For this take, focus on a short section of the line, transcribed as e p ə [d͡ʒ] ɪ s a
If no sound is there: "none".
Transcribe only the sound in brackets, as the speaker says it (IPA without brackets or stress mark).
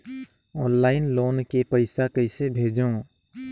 none